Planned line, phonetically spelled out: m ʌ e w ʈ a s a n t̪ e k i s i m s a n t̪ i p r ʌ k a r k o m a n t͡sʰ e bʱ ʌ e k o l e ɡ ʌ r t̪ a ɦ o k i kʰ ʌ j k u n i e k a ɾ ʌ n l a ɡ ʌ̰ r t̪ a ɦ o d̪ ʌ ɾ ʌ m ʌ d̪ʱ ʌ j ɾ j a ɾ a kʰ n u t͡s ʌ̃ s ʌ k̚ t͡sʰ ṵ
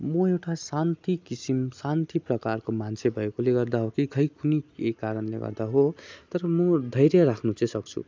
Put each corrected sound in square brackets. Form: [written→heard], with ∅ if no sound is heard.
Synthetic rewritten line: m ʌ e w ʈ a s a n t̪ [e→i] k i s i m s a n t̪ i p r ʌ k a r k o m a n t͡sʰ e bʱ ʌ e k o l e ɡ ʌ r [t̪→d̪] a ɦ o k i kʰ ʌ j k u n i e k a ɾ ʌ n l [a→e] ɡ ʌ̰ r [t̪→d̪] a ɦ o [d̪→t̪] ʌ ɾ ʌ m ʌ d̪ʱ ʌ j ɾ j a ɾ a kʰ n u t͡s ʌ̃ s ʌ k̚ t͡sʰ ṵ